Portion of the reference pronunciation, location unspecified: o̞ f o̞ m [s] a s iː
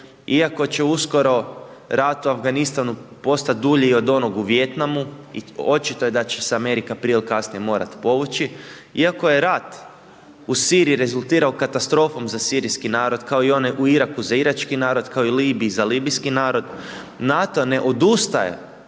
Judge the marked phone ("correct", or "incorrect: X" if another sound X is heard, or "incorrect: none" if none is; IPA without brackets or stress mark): incorrect: z